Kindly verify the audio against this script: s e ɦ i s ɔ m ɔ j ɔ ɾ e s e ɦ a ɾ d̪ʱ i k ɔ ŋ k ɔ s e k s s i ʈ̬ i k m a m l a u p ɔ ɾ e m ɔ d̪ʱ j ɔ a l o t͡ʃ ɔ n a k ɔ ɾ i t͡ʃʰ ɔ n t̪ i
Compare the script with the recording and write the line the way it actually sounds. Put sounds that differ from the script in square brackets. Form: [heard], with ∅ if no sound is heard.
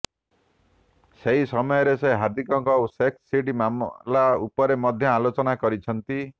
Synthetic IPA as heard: s e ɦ i s ɔ m ɔ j ɔ ɾ e s e ɦ a ɾ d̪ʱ i k ɔ ŋ k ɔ s e k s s i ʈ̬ i [∅] m a m l a u p ɔ ɾ e m ɔ d̪ʱ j ɔ a l o t͡ʃ ɔ n a k ɔ ɾ i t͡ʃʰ ɔ n t̪ i

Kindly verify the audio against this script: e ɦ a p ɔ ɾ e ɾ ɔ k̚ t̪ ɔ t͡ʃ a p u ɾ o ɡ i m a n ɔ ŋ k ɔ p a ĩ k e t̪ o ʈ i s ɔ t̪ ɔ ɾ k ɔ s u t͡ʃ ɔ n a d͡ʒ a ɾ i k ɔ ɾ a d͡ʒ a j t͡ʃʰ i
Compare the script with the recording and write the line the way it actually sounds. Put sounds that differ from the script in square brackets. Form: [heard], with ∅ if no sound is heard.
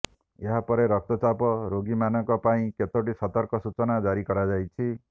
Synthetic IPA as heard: e ɦ a p ɔ ɾ e ɾ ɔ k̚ t̪ ɔ t͡ʃ a p [ɔ] ɾ o ɡ i m a n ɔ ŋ k ɔ p a ĩ k e t̪ o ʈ i s ɔ t̪ ɔ ɾ k ɔ s u t͡ʃ ɔ n a d͡ʒ a ɾ i k ɔ ɾ a d͡ʒ a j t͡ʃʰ i

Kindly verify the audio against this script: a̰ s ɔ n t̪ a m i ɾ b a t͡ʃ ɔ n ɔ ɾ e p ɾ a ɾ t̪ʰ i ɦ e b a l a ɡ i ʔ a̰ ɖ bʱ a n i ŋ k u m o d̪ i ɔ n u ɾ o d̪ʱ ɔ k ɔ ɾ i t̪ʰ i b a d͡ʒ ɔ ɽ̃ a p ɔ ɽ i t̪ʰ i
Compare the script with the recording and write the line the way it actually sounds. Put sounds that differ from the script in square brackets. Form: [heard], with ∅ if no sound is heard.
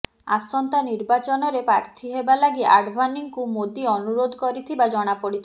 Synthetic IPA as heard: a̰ s ɔ n t̪ a [n] i ɾ b a t͡ʃ ɔ n ɔ ɾ e p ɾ a ɾ t̪ʰ i ɦ e b a l a ɡ i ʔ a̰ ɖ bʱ a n i ŋ k u m o d̪ i ɔ n u ɾ o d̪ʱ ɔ k ɔ ɾ i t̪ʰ i b a d͡ʒ ɔ ɽ̃ a p ɔ ɽ i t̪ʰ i

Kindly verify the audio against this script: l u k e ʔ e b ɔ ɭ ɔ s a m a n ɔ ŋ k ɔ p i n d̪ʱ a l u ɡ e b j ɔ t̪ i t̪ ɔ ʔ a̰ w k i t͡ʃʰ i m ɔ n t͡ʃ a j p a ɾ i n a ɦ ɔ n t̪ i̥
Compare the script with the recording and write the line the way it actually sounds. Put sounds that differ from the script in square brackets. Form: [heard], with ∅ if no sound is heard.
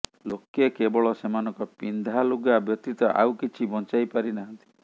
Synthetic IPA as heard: l [o] k e [k] e b ɔ ɭ ɔ s [e] m a n ɔ ŋ k ɔ p i n d̪ʱ a l u ɡ [a] b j ɔ t̪ i t̪ ɔ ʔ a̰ w k i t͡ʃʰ i [b] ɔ n t͡ʃ a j p a ɾ i n a ɦ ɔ n t̪ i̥

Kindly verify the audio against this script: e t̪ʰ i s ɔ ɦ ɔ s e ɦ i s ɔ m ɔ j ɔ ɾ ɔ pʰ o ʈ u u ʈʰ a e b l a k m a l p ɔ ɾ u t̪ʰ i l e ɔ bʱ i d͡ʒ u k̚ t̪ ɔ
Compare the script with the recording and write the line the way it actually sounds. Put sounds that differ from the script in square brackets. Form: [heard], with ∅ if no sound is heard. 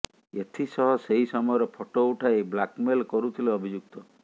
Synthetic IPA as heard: e t̪ʰ i s ɔ ɦ ɔ s e ɦ i s ɔ m ɔ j ɔ ɾ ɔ pʰ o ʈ [o] u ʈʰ a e b l a k m [e] l [k] ɔ ɾ u t̪ʰ i l e ɔ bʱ i d͡ʒ u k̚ t̪ ɔ

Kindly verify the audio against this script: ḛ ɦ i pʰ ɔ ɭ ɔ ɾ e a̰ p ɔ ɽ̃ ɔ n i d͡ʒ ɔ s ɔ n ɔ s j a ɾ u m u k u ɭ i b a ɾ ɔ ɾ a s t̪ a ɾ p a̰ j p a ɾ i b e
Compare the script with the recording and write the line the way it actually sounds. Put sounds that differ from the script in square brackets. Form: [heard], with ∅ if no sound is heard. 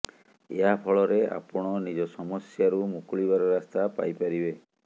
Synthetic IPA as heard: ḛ ɦ [a] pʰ ɔ ɭ ɔ ɾ e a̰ p ɔ ɽ̃ ɔ n i d͡ʒ ɔ s ɔ [m] ɔ s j a ɾ u m u k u ɭ i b a ɾ ɔ ɾ a s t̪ a [∅] p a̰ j p a ɾ i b e

